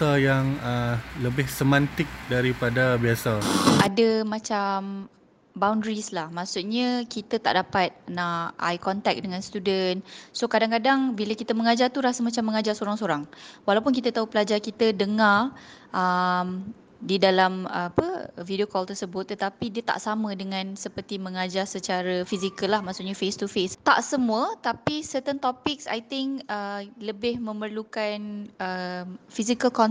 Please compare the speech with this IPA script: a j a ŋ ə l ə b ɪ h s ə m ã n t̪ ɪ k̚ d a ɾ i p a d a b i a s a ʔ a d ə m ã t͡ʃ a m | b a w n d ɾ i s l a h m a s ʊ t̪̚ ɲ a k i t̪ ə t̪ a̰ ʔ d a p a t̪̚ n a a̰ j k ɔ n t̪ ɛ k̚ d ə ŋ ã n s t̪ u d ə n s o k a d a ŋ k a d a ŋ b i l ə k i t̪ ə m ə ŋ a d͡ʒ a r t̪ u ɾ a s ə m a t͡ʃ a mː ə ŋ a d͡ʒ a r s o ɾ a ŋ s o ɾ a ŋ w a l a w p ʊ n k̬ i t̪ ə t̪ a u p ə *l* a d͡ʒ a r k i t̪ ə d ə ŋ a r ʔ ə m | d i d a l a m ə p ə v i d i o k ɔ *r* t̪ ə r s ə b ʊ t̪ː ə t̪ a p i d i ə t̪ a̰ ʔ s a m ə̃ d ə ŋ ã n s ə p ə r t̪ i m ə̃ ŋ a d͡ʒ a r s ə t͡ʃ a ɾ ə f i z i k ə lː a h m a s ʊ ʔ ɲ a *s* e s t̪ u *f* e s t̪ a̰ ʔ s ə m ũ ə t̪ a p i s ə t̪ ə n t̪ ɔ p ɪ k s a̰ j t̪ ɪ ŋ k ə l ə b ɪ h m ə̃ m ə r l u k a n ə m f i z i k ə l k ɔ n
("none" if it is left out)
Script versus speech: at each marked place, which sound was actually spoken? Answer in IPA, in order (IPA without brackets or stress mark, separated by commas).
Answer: l, l, f, f